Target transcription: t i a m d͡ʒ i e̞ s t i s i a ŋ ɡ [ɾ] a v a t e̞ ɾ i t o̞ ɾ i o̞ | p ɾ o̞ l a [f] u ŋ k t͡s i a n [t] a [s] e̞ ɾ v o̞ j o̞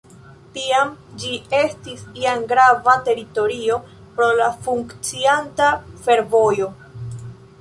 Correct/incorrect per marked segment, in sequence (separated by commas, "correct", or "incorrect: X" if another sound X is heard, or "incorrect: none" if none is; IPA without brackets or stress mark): correct, correct, correct, incorrect: f